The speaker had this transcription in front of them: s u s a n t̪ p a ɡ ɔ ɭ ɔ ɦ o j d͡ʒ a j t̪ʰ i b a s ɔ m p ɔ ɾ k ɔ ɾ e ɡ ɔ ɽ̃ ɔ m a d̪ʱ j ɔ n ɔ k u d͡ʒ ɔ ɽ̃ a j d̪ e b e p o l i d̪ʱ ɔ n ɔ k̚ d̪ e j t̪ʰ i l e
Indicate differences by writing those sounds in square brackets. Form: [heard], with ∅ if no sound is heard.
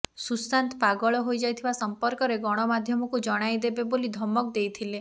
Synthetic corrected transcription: s u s a n t̪ p a ɡ ɔ ɭ ɔ ɦ o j d͡ʒ a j t̪ʰ i b a s ɔ m p ɔ ɾ k ɔ ɾ e ɡ ɔ ɽ̃ ɔ m a d̪ʱ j ɔ [m] ɔ k u d͡ʒ ɔ ɽ̃ a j d̪ e b e [b] o l i d̪ʱ ɔ [m] ɔ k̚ d̪ e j t̪ʰ i l e